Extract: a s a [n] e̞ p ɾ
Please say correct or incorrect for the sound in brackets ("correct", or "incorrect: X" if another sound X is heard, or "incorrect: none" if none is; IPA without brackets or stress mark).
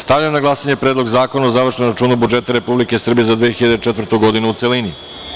incorrect: ɲ